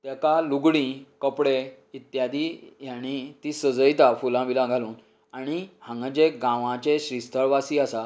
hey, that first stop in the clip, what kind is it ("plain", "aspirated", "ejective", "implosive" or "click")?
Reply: plain